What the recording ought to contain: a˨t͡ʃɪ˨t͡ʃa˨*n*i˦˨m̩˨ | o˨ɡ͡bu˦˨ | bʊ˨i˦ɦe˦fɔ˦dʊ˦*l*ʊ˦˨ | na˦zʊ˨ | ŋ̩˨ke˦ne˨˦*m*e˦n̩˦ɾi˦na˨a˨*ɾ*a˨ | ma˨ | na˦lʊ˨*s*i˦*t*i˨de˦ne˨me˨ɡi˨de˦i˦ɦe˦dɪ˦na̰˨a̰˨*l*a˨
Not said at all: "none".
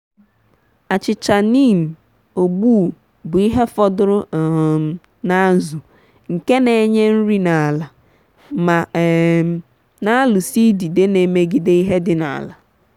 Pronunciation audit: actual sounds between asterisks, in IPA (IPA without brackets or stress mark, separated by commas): n, ɾ, ɲ, l, s, d, l